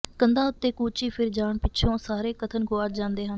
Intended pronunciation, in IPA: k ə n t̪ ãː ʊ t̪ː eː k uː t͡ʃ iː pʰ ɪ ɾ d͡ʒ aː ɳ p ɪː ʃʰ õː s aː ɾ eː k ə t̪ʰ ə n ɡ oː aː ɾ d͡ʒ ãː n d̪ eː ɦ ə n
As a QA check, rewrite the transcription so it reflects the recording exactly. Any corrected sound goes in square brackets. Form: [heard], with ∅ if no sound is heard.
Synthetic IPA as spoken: k ə n [d̪] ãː ʊ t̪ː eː k uː t͡ʃ iː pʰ ɪ ɾ d͡ʒ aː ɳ p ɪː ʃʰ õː s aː ɾ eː k ə t̪ʰ ə n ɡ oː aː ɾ d͡ʒ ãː n d̪ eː ɦ ə n